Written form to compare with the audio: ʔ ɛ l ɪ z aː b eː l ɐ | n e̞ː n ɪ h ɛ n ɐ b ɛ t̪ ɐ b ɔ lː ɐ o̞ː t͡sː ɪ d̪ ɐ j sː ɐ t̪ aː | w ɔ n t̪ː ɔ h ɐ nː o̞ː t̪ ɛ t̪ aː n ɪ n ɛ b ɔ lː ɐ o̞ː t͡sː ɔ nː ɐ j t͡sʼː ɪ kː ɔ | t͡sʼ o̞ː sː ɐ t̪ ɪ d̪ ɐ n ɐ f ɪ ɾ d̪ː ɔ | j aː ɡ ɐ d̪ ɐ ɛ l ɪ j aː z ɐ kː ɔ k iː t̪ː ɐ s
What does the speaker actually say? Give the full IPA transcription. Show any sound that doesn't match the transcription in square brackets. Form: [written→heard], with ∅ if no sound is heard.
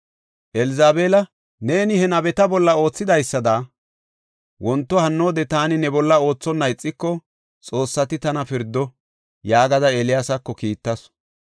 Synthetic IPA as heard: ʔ ɛ l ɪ z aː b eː l ɐ | n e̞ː n ɪ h ɛ n ɐ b ɛ t̪ ɐ b ɔ lː ɐ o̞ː t͡sː ɪ d̪ ɐ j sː ɐ [t̪→d̪] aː | w ɔ n t̪ː ɔ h ɐ nː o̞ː [t̪→d̪] ɛ t̪ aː n ɪ n ɛ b ɔ lː ɐ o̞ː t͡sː ɔ nː ɐ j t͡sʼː ɪ kː ɔ | t͡sʼ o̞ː sː ɐ t̪ ɪ [d̪→t̪] ɐ n ɐ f ɪ ɾ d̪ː ɔ | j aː ɡ ɐ d̪ ɐ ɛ l ɪ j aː [z→s] ɐ kː ɔ k iː t̪ː ɐ s